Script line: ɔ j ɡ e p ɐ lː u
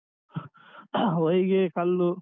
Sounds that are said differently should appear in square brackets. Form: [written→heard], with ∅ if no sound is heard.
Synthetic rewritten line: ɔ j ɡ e [p→k] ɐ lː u

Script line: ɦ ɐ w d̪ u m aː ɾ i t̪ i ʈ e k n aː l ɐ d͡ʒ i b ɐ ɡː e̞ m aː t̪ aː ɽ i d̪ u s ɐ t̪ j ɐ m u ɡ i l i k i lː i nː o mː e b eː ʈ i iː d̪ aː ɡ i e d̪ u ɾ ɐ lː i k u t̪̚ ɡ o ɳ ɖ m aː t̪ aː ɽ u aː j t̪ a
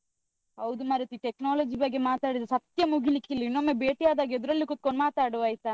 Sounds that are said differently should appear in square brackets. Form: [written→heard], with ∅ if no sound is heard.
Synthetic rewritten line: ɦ ɐ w d̪ u m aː ɾ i t̪ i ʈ e k n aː l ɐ d͡ʒ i b ɐ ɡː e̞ m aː t̪ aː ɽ i d̪ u s ɐ t̪ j ɐ m u ɡ i l i k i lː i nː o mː e b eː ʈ i [iː→aː] d̪ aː ɡ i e d̪ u ɾ ɐ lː i k u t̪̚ [ɡ→k] o ɳ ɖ m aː t̪ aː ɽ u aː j t̪ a

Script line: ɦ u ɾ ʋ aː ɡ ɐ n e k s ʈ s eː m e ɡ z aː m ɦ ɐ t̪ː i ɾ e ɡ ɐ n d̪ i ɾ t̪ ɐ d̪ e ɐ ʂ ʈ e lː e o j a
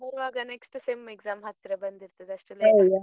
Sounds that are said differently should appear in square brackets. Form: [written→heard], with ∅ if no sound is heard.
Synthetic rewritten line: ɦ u ɾ ʋ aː ɡ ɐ n e k s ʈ s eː m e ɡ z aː m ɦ ɐ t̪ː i ɾ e [ɡ→b] ɐ n d̪ i ɾ t̪ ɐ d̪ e ɐ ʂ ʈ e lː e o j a

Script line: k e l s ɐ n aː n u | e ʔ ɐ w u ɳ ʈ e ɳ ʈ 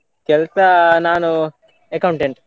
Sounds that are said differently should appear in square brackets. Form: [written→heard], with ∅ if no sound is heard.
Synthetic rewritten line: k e l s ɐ n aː n u | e [ʔ→k] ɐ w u ɳ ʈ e ɳ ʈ

